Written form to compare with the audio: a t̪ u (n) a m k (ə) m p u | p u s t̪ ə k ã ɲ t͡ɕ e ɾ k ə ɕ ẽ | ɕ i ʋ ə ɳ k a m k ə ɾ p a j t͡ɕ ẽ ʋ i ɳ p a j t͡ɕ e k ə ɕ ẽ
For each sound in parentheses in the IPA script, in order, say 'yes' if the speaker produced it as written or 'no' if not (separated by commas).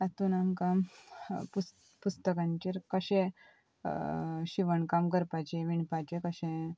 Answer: yes, no